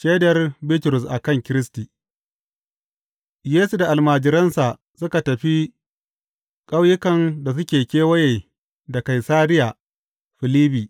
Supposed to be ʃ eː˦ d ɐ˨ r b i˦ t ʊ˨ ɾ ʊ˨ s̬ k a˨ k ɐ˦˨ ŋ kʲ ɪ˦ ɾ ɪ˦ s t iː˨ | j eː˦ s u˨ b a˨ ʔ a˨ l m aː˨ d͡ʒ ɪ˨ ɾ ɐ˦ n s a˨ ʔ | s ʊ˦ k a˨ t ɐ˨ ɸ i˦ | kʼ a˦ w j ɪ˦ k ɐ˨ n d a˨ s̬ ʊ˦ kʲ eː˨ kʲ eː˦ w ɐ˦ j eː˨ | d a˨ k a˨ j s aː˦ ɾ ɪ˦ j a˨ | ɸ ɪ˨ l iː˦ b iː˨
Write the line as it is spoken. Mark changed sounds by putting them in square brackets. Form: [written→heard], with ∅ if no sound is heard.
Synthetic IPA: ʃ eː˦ d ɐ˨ r b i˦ t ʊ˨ ɾ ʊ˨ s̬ [k→ʔ] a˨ k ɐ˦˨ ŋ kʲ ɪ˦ ɾ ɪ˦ s t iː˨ | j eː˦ s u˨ [b→d] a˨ ʔ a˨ l m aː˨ d͡ʒ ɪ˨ ɾ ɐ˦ n s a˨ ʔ | s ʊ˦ k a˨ t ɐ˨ ɸ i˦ | kʼ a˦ w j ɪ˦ k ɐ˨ n d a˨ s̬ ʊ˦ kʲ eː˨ kʲ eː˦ w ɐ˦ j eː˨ | d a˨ k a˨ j s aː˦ ɾ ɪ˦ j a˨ | ɸ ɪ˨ l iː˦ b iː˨